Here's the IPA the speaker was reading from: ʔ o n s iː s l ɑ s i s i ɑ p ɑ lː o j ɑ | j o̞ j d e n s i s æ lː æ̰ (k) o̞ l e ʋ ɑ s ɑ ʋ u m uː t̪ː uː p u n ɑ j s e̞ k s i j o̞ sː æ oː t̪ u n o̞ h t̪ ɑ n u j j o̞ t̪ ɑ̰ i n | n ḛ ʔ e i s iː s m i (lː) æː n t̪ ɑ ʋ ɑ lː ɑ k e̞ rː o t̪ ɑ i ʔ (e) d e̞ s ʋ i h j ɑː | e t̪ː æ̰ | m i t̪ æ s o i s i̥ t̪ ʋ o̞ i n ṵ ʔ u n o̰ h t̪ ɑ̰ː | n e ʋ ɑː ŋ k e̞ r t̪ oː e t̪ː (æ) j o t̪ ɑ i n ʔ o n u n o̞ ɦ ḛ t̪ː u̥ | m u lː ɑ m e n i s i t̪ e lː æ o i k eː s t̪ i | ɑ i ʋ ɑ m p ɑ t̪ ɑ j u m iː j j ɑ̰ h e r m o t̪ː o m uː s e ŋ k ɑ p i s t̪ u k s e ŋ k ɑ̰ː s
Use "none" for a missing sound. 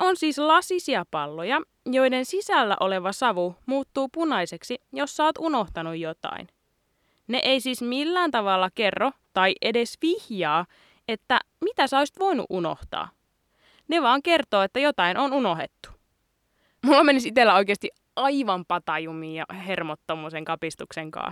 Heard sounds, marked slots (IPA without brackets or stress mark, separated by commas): ʔ, lː, e, æ